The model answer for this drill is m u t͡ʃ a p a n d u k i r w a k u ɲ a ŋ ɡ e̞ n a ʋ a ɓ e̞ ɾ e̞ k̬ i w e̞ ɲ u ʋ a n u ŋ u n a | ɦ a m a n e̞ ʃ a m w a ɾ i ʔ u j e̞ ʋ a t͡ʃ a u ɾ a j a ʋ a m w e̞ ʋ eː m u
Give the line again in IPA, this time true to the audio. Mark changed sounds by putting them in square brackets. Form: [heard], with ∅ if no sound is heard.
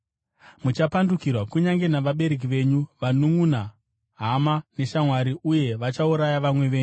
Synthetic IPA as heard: m u t͡ʃ a p a n d u k i r w a k u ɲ a ŋ ɡ e̞ n a ʋ a ɓ e̞ ɾ e̞ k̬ i [ʋ] e̞ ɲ u ʋ a n u ŋ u n a | ɦ a m a n e̞ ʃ a m w a ɾ i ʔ u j e̞ ʋ a t͡ʃ a u ɾ a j a ʋ a m w e̞ ʋ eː [ɲ] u